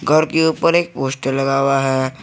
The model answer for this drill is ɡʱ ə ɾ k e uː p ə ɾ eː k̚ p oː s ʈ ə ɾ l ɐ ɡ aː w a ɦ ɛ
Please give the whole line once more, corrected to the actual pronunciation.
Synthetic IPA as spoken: ɡʱ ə ɾ k e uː p ə ɾ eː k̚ p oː s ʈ ə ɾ l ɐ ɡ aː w a ɦ ɛ